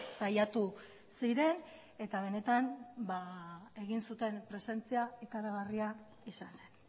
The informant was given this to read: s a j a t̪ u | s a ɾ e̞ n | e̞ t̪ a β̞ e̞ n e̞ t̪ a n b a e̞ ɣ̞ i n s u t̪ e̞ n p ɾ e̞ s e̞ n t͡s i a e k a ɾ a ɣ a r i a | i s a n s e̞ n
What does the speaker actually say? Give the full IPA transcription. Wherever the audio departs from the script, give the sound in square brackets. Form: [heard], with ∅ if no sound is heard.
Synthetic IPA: s a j a t̪ u | s [i] ɾ e̞ n | e̞ t̪ a β̞ e̞ n e̞ t̪ a n b a e̞ ɣ̞ i n s u t̪ e̞ n p ɾ e̞ s e̞ n t͡s i a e k a ɾ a ɣ a r i a | i s a n s e̞ n